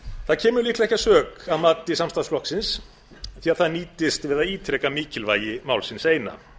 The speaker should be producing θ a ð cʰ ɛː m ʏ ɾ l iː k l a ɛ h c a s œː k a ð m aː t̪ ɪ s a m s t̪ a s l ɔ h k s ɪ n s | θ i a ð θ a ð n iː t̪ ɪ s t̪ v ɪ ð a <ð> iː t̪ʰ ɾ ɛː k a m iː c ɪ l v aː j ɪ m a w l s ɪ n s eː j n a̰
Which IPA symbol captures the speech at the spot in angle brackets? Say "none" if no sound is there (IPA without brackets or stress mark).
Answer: ð